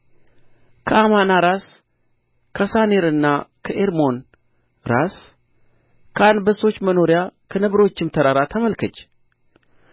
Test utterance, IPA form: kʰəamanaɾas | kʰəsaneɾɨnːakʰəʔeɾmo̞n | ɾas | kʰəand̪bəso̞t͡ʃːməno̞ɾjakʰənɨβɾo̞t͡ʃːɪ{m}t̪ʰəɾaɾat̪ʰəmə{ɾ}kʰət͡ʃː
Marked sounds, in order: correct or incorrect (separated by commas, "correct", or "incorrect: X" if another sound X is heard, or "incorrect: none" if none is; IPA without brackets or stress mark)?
correct, incorrect: l